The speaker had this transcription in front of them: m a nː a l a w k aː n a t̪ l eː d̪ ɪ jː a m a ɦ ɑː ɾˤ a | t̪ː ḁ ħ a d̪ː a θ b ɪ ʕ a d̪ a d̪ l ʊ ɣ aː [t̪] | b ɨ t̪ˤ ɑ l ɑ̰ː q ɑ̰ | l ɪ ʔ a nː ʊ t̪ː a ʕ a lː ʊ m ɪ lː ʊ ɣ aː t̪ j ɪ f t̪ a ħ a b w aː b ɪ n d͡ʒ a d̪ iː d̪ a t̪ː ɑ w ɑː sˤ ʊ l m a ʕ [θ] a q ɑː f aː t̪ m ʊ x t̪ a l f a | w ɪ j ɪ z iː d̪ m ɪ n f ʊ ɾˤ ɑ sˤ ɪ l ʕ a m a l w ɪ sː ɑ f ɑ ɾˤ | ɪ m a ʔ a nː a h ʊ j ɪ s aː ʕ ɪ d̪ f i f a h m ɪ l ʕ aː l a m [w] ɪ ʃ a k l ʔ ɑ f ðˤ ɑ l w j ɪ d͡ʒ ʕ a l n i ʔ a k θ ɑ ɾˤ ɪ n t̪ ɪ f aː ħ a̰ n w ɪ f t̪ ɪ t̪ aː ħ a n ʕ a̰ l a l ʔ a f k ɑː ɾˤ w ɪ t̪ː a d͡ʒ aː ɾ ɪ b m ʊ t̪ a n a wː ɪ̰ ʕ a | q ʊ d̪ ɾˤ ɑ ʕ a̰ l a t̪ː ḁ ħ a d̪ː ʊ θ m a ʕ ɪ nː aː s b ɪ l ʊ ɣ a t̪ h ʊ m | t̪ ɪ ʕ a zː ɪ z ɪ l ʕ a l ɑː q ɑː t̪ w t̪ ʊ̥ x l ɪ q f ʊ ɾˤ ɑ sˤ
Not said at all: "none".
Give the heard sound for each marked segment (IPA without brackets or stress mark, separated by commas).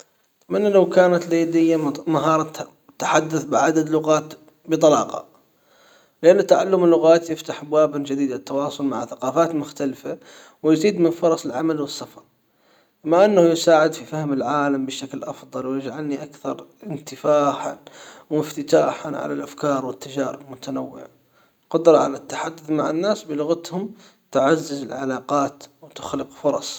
t̪, θ, b